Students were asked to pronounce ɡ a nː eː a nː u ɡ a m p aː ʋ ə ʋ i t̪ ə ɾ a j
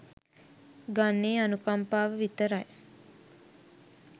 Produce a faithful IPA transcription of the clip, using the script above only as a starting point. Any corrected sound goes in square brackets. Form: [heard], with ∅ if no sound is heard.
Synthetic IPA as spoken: ɡ a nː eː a [n] u [k] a m p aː ʋ ə ʋ i t̪ ə ɾ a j